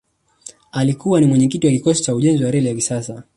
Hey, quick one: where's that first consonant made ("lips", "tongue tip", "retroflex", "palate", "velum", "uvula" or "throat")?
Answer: tongue tip